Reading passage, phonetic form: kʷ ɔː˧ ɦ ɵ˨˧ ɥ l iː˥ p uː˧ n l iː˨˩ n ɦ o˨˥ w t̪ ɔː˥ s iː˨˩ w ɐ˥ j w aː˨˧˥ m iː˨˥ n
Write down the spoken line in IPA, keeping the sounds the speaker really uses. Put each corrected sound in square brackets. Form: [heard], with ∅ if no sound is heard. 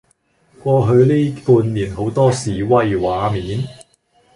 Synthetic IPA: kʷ ɔː˧ ɦ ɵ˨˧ ɥ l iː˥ p uː˧ n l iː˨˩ n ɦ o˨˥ w t̪ ɔː˥ s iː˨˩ w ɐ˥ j w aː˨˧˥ m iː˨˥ n